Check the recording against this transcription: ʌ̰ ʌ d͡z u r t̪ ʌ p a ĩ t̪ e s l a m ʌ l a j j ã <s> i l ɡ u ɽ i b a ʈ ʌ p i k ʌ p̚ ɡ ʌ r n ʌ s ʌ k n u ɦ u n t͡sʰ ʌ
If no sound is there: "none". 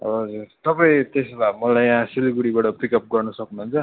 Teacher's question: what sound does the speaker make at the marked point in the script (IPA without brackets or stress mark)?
s